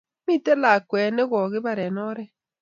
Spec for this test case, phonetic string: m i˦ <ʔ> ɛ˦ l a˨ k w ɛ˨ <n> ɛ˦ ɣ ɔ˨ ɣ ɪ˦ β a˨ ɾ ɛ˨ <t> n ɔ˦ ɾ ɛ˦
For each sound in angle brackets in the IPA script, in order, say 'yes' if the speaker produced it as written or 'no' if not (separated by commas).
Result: no, yes, no